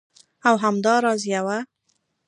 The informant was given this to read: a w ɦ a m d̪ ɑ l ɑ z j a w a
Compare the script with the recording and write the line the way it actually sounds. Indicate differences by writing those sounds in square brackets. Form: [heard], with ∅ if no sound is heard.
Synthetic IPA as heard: a w ɦ a m d̪ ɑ [ɾ] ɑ z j a w a